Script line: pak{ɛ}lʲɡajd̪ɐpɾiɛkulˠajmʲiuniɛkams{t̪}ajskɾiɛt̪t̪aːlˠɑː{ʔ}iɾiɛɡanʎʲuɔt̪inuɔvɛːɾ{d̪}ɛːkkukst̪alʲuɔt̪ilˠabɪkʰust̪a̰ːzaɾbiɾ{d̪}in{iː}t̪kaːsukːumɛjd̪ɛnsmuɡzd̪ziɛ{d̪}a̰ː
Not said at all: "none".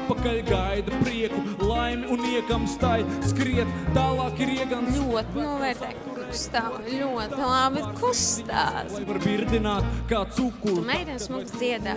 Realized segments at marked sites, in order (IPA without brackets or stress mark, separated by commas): a, t̪, k, t̪, d̪, aː, d̪